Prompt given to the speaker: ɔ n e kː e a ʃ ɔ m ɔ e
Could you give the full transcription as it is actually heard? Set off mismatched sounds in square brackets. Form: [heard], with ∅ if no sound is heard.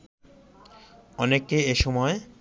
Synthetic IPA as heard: ɔ n e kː e [e] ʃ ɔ m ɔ e